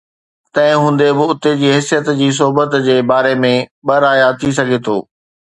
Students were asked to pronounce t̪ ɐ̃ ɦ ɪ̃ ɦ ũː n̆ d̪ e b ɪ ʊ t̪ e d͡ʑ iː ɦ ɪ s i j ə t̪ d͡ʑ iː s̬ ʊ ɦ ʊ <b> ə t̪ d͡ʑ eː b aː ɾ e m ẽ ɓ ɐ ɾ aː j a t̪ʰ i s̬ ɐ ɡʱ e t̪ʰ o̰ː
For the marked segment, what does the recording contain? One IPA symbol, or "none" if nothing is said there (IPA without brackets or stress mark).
b